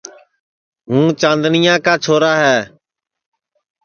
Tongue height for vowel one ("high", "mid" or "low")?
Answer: high